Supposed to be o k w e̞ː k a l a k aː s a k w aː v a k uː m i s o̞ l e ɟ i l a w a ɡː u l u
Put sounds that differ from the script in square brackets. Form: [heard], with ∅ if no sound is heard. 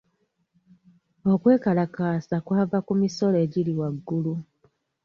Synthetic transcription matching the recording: o k w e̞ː k a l a k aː s a k w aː v a k [u] m i s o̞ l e ɟ i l [i] w a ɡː u l u